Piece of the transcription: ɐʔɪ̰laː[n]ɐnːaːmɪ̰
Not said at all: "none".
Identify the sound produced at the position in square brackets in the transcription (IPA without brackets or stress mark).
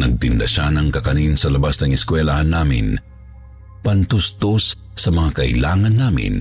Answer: ŋ